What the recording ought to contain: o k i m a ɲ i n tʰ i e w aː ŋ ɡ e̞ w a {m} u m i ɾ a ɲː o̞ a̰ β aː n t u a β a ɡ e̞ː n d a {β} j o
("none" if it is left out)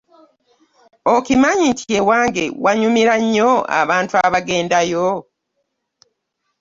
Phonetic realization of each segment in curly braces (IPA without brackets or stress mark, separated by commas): ɲ, none